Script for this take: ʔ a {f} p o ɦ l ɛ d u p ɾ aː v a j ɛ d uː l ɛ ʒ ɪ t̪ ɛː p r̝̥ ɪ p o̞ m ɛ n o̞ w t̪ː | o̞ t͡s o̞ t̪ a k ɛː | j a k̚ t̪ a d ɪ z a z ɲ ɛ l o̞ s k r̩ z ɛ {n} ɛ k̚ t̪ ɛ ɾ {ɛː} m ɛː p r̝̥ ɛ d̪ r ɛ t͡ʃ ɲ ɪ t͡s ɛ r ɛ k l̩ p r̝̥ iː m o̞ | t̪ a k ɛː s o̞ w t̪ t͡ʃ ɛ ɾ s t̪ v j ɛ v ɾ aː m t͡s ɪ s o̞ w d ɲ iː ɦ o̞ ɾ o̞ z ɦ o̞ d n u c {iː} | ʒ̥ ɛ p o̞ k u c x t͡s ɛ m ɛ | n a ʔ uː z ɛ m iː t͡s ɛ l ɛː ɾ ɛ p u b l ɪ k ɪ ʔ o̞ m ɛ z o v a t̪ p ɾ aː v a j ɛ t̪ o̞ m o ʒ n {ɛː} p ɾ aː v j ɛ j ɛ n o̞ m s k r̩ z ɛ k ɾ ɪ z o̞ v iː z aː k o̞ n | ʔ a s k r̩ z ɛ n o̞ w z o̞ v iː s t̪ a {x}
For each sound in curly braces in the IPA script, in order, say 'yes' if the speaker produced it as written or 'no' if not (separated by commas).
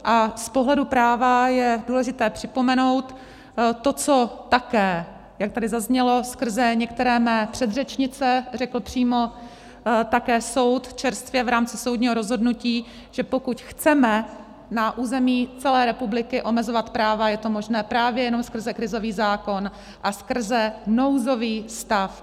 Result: no, no, yes, yes, yes, no